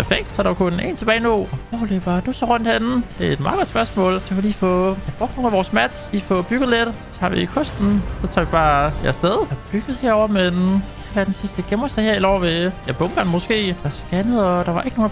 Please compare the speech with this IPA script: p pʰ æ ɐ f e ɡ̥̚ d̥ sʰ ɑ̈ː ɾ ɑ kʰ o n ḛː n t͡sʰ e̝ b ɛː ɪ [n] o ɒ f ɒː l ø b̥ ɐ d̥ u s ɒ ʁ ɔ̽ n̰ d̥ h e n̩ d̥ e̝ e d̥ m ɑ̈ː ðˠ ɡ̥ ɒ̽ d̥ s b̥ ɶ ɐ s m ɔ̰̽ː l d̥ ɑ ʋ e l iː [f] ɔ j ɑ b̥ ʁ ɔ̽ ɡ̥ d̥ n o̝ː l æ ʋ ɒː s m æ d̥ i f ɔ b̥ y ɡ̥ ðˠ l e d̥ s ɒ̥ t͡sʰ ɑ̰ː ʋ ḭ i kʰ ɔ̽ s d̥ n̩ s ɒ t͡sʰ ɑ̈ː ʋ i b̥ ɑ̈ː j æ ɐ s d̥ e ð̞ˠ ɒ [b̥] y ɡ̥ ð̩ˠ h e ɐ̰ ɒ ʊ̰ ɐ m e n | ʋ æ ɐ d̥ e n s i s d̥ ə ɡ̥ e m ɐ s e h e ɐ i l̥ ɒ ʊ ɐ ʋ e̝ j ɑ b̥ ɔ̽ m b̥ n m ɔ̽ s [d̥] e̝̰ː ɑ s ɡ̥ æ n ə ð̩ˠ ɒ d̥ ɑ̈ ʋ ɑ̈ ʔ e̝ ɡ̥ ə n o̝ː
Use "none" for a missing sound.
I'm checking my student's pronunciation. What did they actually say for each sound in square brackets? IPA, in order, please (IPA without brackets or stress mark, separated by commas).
n, f, b̥, ɡ̥